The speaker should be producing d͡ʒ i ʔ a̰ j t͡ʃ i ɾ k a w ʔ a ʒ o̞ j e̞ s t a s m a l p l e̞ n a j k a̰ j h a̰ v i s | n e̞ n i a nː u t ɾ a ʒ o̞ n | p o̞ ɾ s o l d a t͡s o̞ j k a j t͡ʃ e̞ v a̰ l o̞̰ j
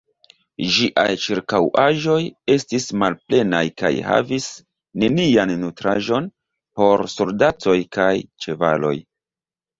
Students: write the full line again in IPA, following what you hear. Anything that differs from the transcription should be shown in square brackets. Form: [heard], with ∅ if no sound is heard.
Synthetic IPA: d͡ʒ i ʔ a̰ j t͡ʃ i ɾ k a w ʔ a ʒ o̞ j e̞ s t [i] s m a l p l e̞ n a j k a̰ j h a̰ v i s | n e̞ n i a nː u t ɾ a ʒ o̞ n | p o̞ ɾ s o l d a t͡s o̞ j k a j t͡ʃ e̞ v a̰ l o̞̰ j